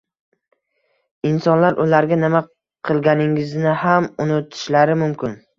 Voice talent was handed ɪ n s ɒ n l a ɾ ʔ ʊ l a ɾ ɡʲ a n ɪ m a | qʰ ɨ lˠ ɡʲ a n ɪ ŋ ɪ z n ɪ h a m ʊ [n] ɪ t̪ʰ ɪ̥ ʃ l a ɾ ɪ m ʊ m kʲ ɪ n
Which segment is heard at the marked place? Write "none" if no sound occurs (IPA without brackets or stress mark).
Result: n